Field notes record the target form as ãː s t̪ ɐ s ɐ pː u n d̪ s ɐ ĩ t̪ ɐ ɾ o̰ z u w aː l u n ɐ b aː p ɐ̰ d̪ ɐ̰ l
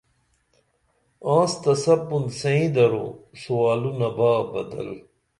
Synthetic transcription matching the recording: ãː s t̪ ɐ s ɐ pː u n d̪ s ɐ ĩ d̪ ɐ ɾ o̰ s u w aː l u n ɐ b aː b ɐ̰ d̪ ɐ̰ l